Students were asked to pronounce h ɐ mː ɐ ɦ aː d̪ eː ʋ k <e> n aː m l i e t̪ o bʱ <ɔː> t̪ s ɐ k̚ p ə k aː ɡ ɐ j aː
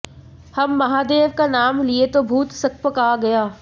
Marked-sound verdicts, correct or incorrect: incorrect: a, incorrect: uː

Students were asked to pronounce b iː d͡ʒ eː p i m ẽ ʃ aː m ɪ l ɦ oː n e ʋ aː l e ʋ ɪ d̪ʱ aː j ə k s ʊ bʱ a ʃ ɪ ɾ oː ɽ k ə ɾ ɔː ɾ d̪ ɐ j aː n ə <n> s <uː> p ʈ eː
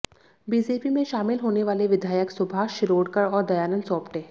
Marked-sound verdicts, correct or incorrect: correct, incorrect: ɔː

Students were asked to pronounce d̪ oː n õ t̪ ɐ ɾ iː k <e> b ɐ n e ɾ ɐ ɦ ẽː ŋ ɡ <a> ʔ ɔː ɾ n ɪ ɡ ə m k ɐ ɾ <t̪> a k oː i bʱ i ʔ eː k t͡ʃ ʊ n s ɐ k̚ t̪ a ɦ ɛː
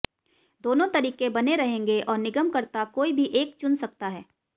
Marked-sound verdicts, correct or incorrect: correct, incorrect: e, correct

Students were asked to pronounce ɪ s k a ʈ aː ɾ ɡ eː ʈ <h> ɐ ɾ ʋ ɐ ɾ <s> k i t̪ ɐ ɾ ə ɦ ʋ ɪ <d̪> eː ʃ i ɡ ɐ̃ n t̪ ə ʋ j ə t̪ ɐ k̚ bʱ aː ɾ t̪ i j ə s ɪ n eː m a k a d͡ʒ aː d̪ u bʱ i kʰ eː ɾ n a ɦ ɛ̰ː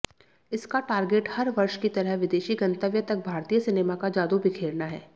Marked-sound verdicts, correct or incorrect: correct, incorrect: ʃ, correct

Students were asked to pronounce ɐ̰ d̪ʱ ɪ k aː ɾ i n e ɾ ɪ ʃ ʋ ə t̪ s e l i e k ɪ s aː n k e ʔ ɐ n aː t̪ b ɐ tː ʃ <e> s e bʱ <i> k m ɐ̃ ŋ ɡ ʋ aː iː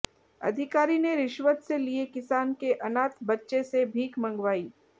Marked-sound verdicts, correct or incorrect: correct, incorrect: iː

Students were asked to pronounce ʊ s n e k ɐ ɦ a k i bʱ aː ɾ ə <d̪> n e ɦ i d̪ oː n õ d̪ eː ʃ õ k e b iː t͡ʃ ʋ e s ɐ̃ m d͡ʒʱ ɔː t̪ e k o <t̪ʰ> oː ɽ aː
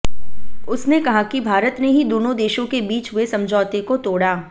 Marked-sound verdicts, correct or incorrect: incorrect: t̪, incorrect: t̪

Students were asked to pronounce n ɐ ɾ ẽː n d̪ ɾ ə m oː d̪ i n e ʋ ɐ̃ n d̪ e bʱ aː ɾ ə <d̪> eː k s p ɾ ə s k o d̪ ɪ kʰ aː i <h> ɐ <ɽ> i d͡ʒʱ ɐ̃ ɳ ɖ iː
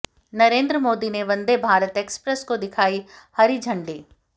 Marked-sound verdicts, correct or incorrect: incorrect: t̪, correct, incorrect: ɾ

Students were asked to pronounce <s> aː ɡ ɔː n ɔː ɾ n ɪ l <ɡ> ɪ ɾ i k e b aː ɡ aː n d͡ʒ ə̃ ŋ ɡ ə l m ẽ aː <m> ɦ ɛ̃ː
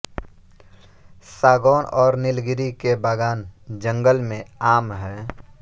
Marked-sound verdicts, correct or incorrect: correct, correct, correct

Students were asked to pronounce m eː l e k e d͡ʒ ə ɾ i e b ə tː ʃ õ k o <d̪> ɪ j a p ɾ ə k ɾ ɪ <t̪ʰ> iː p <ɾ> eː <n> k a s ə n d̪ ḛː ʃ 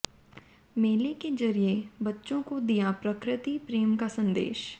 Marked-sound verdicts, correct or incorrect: correct, incorrect: t̪, correct, incorrect: m

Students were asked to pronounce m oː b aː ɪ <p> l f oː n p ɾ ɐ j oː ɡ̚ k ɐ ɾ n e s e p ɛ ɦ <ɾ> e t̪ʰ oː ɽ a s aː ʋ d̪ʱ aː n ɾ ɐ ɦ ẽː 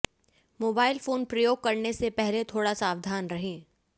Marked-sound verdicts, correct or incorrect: incorrect: none, incorrect: l

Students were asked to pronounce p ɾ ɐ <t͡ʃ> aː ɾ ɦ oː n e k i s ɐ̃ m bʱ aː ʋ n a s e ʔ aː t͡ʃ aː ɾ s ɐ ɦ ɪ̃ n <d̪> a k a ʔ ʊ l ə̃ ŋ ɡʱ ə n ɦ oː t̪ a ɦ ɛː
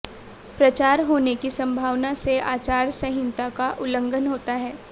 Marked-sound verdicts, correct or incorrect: correct, incorrect: t̪

